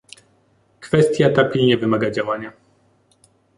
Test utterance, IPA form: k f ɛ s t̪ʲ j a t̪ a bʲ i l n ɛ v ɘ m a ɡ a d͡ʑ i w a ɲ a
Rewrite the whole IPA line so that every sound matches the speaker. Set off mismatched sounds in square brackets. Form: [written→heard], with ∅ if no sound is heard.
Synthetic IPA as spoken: k f ɛ s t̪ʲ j a t̪ a [bʲ→pʲ] i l [n→ɲ] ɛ v ɘ m a ɡ a d͡ʑ [i→a] w a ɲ a